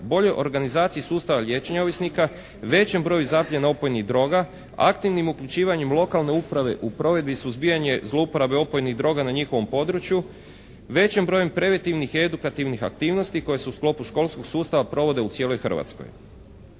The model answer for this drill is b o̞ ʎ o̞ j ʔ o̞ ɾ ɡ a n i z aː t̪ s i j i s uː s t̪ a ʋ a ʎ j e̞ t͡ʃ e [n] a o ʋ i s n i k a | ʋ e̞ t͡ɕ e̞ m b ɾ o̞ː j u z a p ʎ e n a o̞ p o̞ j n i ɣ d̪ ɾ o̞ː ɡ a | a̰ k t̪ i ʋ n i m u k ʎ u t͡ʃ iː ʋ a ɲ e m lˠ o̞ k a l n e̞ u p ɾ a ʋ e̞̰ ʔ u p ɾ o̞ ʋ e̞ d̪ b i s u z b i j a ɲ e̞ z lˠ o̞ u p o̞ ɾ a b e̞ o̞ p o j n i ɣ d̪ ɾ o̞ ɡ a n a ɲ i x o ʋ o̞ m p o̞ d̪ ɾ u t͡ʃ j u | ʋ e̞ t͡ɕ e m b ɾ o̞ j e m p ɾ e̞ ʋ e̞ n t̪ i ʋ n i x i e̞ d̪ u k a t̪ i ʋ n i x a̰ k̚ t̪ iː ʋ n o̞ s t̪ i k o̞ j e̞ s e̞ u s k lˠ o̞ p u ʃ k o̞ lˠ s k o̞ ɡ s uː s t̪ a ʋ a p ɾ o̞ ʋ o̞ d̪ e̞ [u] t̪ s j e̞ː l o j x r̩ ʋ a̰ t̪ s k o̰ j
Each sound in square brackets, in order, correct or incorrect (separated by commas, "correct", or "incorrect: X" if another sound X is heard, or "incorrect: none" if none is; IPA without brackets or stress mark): incorrect: ɲ, correct